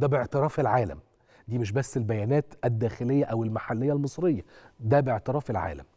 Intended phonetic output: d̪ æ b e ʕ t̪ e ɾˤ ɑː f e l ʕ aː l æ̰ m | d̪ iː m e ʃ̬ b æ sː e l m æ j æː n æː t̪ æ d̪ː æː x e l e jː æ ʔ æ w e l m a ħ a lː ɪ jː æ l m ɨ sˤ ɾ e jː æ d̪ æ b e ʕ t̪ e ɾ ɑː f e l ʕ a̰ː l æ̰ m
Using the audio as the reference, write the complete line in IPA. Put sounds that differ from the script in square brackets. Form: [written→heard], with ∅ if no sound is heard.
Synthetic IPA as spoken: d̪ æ b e ʕ t̪ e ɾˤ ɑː f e l ʕ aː l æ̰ m | d̪ iː m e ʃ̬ b æ sː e l [m→b] æ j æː n æː t̪ æ d̪ː æː x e l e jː æ ʔ æ w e l m a ħ a lː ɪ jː æ l m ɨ sˤ ɾ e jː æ d̪ æ b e ʕ t̪ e ɾ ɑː f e l ʕ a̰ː l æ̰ m